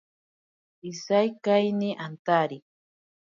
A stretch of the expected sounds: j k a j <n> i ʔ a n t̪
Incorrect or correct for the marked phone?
correct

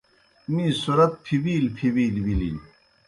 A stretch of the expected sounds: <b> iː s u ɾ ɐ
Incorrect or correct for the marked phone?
incorrect: m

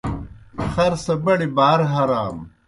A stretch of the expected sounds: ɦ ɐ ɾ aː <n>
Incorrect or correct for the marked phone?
incorrect: m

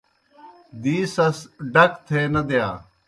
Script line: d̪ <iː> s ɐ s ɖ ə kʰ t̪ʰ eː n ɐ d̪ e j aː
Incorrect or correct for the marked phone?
correct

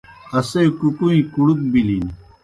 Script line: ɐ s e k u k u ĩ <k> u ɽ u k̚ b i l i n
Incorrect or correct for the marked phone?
correct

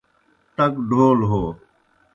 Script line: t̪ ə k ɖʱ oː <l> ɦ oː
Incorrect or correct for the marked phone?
correct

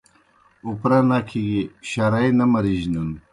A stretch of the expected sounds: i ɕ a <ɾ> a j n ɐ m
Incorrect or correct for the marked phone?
correct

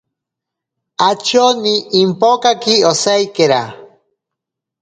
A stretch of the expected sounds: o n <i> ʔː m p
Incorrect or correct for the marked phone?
correct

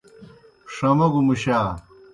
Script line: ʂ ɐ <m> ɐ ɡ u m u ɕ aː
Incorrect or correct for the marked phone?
correct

